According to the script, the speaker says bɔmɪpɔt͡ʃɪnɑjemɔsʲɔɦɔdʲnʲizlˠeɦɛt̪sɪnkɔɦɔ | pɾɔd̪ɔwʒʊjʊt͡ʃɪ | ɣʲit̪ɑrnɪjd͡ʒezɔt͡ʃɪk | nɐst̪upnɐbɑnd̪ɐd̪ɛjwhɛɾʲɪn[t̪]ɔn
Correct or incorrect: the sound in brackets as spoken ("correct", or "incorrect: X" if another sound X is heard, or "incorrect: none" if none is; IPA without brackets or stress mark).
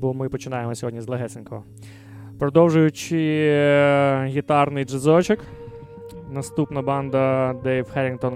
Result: correct